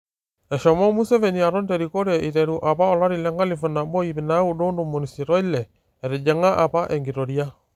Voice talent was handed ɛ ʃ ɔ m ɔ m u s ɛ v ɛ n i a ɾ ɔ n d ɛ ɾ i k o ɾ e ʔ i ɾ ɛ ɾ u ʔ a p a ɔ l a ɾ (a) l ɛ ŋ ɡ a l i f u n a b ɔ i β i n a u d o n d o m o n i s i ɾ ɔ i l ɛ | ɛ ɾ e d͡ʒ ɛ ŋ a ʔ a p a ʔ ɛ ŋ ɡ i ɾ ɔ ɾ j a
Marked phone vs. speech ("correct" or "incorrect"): incorrect